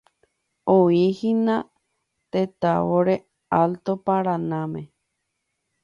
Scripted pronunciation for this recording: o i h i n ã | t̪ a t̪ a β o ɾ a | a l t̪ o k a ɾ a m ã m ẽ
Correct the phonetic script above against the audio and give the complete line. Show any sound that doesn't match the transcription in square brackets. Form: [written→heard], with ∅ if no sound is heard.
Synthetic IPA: o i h i n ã | t̪ [a→e] t̪ a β o ɾ [a→e] | a l t̪ o [k→p] a ɾ a [m→n] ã m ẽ